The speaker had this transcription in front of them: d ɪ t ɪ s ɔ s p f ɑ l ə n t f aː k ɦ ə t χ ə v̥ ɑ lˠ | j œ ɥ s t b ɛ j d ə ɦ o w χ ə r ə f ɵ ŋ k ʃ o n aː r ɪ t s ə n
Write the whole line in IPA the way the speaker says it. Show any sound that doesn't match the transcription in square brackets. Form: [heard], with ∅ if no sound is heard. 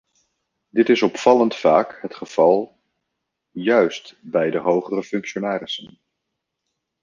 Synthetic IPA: d ɪ t ɪ s ɔ [∅] p f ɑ l ə n t f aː k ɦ ə t χ ə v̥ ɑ lˠ | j œ ɥ s t b ɛ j d ə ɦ o w χ ə r ə f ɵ ŋ k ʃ o n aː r ɪ [∅] s ə n